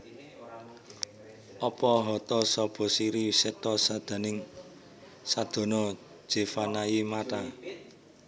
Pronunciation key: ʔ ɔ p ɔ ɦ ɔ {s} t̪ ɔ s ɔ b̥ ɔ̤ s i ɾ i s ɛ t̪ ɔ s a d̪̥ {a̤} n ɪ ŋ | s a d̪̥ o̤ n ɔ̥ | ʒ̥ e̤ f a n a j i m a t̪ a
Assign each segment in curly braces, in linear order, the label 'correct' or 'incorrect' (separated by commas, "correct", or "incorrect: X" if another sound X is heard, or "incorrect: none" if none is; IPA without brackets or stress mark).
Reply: incorrect: none, correct